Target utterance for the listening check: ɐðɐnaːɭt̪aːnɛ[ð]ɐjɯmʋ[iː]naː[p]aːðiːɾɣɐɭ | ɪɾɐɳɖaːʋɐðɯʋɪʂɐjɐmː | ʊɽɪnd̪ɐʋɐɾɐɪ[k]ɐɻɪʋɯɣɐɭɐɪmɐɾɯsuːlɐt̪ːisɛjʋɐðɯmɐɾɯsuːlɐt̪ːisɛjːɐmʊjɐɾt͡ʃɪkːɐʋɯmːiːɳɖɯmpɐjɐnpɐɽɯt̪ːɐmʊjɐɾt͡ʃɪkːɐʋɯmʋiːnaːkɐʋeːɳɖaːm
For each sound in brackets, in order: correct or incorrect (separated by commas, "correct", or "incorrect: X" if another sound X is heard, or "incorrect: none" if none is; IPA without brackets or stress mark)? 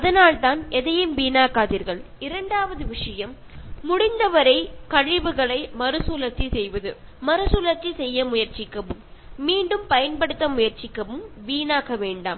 correct, correct, incorrect: k, correct